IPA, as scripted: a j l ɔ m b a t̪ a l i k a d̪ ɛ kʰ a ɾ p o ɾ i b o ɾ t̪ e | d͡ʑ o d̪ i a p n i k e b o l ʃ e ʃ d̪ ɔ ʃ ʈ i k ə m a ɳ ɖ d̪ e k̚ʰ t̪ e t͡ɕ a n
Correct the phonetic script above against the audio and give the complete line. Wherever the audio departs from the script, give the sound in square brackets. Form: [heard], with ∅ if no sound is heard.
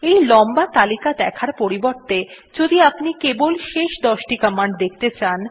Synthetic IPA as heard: [e] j l ɔ m b a t̪ a l i k a d̪ ɛ kʰ a ɾ p o ɾ i b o ɾ t̪ e | d͡ʑ o d̪ i a p n i k e b o l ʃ e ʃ d̪ ɔ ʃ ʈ i k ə m a ɳ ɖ d̪ e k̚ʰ t̪ e t͡ɕ a n

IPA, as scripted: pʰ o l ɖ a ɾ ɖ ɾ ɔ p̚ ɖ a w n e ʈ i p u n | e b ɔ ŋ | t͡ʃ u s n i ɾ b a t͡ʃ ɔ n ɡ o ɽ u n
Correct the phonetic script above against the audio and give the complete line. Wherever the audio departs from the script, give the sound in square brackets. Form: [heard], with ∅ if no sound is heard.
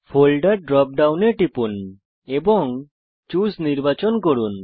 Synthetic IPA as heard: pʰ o l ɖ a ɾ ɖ ɾ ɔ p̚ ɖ a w n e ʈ i p u n | e b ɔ ŋ | t͡ʃ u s n i ɾ b a t͡ʃ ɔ n [k] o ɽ u n

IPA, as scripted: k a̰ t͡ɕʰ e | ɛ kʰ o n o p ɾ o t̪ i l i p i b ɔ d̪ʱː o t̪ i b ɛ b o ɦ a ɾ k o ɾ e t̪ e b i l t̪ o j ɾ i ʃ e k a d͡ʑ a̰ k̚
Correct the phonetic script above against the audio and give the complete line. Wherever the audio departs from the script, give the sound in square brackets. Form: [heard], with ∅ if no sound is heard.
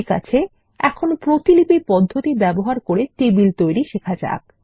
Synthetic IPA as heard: k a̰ t͡ɕʰ e | ɛ kʰ o n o p ɾ o t̪ i l i p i [p] ɔ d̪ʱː o t̪ i b ɛ b o ɦ a ɾ k o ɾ e t̪ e b i l t̪ o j ɾ i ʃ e [kʰ] a d͡ʑ a̰ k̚

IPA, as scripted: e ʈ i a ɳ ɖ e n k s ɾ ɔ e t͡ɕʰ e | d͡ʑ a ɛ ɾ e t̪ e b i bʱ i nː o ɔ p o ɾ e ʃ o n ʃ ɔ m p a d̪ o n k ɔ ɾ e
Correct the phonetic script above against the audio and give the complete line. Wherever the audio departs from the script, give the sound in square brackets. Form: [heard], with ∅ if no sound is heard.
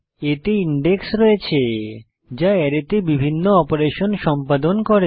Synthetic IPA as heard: e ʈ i [i] ɳ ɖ e [∅] k s ɾ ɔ e t͡ɕʰ e | d͡ʑ a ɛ ɾ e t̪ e b i bʱ i nː o ɔ p o ɾ e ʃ o n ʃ ɔ m p a d̪ o n k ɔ ɾ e

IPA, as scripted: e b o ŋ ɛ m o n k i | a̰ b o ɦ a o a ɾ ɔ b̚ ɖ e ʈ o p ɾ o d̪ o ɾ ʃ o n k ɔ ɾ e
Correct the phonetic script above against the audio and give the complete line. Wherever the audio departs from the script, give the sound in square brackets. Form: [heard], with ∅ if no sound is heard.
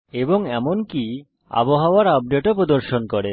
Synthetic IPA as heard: e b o ŋ ɛ m o n k i | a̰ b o ɦ a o a ɾ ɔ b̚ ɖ e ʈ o p ɾ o d̪ o ɾ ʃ o n k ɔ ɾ e

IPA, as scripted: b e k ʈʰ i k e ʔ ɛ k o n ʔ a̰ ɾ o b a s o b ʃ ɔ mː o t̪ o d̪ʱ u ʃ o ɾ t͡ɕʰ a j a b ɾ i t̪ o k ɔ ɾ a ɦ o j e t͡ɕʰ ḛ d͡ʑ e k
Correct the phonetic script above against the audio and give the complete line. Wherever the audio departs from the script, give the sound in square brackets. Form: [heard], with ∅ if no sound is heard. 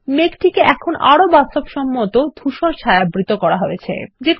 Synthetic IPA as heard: [m] e k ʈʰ i k e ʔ ɛ [kʰ] o n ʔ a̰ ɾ o b a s o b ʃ ɔ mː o t̪ o d̪ʱ u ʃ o ɾ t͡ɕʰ a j a b ɾ i t̪ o k ɔ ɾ a ɦ o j e t͡ɕʰ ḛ d͡ʑ e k

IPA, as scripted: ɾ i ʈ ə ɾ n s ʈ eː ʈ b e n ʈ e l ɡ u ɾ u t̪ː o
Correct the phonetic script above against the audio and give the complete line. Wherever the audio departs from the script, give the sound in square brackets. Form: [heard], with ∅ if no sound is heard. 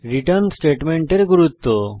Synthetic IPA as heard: ɾ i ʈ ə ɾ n s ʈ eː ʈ [m] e [ɳ] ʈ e [ɾ] ɡ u ɾ u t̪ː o

